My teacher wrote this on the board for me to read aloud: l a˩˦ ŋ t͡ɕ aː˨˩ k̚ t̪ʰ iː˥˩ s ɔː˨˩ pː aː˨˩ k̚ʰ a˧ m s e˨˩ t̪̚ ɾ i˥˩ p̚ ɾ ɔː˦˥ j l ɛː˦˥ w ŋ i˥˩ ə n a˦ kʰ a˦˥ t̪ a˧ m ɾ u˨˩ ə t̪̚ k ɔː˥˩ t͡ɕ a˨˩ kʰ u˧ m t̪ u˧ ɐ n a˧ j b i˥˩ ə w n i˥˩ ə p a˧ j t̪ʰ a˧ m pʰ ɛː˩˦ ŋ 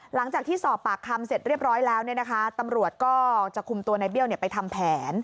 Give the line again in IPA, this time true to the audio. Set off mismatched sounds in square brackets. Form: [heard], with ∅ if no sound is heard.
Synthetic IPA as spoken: l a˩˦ ŋ t͡ɕ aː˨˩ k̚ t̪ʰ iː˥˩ s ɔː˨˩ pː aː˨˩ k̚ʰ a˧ m s e˨˩ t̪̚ ɾ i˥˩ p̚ ɾ ɔː˦˥ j l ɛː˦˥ w [n] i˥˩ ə n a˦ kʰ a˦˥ t̪ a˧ m ɾ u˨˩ ə t̪̚ k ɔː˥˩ t͡ɕ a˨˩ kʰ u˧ m t̪ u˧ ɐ n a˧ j b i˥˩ ə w n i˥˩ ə p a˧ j t̪ʰ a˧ m pʰ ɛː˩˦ [n]